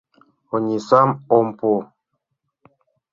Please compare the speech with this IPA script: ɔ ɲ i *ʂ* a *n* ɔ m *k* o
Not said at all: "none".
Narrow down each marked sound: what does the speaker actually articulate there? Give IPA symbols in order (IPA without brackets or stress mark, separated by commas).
s, m, p